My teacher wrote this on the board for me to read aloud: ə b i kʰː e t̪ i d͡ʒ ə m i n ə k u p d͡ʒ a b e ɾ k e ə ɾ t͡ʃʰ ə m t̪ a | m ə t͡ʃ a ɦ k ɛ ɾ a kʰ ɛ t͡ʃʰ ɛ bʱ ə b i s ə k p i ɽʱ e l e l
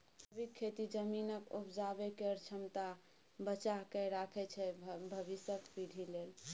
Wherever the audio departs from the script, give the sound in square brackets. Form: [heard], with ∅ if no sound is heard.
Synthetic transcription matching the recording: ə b i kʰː e t̪ i d͡ʒ ə m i n ə k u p d͡ʒ a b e [∅] k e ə ɾ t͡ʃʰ ə m t̪ a | [b] ə t͡ʃ a ɦ k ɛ ɾ a kʰ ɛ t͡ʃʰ ɛ bʱ ə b i s ə k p i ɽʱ [i] l e l